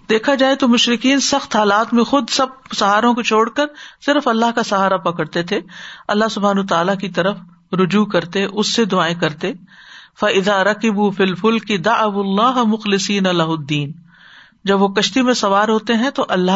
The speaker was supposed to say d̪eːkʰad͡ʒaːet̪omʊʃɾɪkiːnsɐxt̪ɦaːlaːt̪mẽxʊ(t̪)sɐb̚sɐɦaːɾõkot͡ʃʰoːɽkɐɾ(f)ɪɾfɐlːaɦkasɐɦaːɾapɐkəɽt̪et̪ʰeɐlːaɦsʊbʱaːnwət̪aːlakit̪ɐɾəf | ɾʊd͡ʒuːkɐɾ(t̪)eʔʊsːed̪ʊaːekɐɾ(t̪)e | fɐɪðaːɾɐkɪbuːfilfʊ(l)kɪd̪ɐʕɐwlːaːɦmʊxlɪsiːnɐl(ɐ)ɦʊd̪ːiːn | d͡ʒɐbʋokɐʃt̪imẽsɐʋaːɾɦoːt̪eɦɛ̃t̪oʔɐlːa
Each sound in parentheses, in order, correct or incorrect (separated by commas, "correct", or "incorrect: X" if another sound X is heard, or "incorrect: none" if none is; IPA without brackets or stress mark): incorrect: d̪, incorrect: s, correct, correct, correct, correct